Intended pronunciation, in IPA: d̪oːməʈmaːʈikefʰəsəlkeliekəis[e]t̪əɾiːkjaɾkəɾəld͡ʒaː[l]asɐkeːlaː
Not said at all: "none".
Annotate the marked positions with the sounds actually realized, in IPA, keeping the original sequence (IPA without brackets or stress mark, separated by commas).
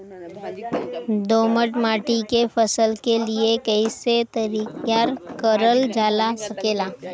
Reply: e, l